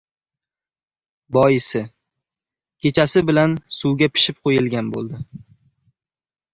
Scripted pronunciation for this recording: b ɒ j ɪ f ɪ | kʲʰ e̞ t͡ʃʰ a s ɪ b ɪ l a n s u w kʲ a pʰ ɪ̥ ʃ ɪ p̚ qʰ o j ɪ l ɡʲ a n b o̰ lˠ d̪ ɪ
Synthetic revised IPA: b ɒ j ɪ s ɪ | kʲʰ e̞ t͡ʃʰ a s ɪ b ɪ l a n s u w ɡʲ a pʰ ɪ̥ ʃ ɪ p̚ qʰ o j ɪ l ɡʲ a n b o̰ lˠ d̪ ɪ